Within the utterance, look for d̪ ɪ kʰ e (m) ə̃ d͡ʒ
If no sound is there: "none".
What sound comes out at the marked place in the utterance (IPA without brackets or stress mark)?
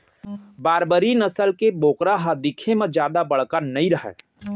m